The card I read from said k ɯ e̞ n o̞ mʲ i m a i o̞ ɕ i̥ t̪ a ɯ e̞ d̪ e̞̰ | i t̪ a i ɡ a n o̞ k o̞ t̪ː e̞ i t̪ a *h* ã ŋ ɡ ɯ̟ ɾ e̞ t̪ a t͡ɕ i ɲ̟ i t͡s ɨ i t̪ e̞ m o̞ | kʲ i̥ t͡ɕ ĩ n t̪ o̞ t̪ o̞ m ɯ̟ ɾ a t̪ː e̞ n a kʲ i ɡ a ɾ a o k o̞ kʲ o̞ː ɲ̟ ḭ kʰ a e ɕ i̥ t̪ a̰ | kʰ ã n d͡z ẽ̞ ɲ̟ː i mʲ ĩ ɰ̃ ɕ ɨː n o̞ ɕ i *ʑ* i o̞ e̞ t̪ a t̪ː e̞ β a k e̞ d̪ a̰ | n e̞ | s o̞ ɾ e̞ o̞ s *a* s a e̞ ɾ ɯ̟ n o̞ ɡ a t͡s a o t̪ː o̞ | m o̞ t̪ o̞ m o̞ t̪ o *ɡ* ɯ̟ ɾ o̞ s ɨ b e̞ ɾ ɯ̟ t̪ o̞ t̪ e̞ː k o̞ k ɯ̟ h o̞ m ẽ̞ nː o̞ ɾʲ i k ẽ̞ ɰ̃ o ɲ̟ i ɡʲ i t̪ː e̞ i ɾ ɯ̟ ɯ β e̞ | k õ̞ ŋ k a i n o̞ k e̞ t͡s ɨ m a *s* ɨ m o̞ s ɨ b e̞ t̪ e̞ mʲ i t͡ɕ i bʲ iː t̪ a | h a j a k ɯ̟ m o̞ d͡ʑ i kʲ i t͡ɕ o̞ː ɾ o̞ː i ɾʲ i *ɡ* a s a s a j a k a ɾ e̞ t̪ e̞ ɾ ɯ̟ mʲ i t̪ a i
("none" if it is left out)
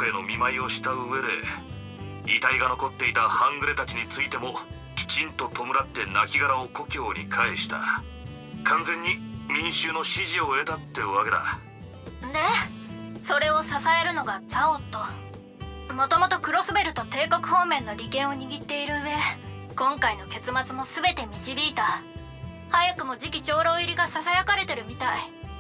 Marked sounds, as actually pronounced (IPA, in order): h, ʑ, a, k, t͡s, ɡ

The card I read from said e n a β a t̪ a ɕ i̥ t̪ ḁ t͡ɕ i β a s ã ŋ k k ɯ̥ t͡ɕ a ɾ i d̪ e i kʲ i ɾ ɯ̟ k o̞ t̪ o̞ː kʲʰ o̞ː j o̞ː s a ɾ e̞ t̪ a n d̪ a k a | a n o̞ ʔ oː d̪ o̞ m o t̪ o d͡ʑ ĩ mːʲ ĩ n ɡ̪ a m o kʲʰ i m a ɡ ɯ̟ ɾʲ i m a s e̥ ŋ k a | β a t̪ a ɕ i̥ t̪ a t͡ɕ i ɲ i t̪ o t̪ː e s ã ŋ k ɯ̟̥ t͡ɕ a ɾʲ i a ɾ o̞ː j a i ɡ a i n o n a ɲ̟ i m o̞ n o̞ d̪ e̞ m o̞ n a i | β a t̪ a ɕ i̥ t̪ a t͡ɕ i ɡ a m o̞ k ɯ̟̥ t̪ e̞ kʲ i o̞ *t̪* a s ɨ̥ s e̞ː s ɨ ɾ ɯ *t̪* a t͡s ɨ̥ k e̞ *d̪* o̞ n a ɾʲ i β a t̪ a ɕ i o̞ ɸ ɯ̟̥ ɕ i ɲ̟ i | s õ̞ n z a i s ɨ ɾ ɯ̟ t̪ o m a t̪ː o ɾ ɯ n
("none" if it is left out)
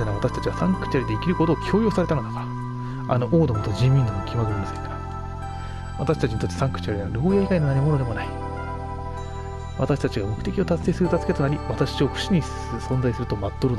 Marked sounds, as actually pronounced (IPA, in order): t̪, t̪, t̪

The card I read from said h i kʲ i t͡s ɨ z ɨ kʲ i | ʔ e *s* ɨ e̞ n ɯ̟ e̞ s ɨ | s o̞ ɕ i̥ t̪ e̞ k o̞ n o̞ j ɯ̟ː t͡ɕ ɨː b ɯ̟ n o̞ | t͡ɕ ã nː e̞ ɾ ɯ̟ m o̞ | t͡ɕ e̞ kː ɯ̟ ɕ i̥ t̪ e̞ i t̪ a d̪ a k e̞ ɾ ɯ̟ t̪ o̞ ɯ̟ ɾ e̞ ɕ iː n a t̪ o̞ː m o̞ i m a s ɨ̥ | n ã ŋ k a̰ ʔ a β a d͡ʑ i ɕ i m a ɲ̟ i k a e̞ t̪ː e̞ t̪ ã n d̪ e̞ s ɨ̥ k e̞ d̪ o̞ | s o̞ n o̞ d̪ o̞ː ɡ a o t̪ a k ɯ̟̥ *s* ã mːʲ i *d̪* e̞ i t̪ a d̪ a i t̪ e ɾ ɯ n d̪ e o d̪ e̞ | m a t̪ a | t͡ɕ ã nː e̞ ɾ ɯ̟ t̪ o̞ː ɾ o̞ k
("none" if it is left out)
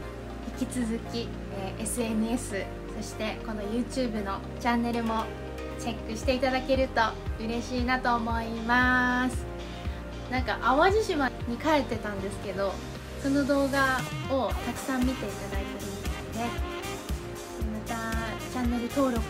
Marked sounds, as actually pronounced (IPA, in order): s, s, t̪

